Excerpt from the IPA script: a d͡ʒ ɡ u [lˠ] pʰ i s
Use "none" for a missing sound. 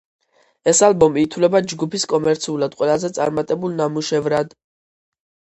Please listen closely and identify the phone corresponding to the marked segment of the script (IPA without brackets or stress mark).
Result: none